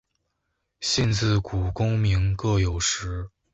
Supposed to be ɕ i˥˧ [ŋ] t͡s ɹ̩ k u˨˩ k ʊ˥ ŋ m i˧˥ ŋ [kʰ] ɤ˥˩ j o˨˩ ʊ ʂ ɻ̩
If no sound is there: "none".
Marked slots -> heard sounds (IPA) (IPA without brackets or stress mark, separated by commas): n, k